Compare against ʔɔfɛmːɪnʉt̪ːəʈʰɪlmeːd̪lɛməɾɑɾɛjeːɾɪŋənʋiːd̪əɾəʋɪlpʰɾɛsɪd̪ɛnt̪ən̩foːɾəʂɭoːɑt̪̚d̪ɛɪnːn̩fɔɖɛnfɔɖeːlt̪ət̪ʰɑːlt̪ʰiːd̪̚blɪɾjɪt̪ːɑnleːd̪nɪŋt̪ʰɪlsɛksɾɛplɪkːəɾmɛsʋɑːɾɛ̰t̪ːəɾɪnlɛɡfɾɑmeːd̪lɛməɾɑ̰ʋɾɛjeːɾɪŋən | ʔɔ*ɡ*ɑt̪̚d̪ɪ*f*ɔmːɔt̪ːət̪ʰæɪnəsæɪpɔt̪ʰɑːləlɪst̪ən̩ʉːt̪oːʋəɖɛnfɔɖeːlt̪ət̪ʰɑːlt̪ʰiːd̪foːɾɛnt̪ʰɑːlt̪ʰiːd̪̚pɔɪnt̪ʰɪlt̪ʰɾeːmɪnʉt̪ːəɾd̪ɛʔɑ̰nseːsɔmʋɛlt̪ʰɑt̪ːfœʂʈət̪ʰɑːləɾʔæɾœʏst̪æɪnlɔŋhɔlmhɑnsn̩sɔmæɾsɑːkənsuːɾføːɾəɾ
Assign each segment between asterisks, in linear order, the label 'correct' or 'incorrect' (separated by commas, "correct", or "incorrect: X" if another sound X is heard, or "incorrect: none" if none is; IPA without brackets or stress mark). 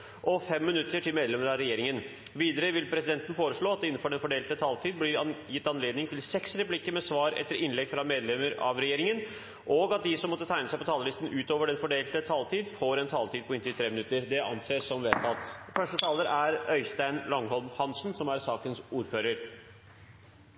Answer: correct, incorrect: s